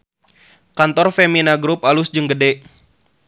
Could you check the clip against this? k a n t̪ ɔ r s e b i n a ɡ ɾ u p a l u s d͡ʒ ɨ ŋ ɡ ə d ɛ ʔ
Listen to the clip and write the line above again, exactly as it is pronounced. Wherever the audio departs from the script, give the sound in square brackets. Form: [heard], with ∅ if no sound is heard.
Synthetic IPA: k a n t̪ ɔ r [f] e [m] i n a ɡ ɾ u p a l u s d͡ʒ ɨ ŋ ɡ ə d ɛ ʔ